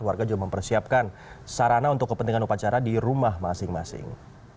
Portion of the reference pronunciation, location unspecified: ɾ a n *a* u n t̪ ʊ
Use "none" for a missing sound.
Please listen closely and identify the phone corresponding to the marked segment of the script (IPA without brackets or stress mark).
a